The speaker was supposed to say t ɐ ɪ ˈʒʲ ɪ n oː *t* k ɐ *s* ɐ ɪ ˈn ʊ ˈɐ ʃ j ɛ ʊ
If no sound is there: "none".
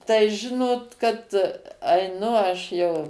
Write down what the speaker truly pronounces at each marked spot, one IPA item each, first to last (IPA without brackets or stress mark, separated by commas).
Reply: t, t